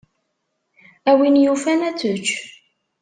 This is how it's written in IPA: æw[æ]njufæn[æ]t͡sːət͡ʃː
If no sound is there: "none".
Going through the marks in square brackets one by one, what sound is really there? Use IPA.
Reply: i, æ

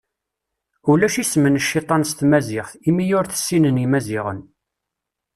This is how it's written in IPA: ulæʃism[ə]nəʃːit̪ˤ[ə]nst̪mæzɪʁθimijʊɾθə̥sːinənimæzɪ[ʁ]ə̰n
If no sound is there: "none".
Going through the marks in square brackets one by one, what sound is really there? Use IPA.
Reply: ə, ɑ, ʁ

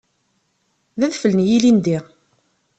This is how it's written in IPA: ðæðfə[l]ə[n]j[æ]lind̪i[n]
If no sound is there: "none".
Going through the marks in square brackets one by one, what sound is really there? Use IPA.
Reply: l, n, i, none

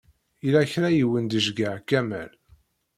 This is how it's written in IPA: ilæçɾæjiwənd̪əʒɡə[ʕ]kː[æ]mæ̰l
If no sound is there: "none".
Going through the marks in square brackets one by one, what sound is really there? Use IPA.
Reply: ʕ, æ

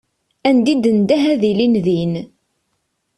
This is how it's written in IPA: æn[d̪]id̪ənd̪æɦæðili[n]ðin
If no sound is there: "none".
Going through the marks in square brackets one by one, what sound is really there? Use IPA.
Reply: d̪, n

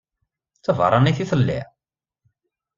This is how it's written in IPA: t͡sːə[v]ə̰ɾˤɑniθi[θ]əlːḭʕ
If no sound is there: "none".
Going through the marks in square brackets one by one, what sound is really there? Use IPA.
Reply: v, θ

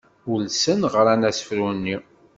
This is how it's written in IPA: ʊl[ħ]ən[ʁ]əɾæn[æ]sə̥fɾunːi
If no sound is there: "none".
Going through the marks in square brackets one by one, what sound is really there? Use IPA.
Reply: s, ʁ, æ

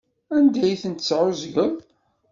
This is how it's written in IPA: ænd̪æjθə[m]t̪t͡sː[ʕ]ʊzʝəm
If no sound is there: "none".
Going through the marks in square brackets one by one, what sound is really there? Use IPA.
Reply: n, ʕ

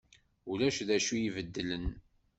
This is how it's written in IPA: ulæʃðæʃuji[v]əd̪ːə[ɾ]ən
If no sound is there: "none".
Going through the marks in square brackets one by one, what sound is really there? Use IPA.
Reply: v, l

